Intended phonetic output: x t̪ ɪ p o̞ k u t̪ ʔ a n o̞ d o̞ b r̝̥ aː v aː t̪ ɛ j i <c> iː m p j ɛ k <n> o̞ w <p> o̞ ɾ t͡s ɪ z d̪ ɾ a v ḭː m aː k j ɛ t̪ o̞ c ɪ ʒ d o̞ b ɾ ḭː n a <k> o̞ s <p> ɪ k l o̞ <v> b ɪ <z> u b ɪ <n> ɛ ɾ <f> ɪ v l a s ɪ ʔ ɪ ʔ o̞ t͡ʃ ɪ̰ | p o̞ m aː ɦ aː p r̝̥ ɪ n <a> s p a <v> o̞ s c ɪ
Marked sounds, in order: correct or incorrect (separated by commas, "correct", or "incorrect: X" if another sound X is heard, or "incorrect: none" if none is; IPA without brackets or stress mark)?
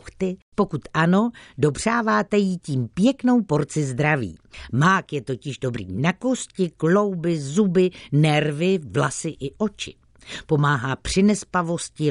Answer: correct, correct, correct, correct, incorrect: c, incorrect: w, correct, correct, incorrect: v, incorrect: ɛ, correct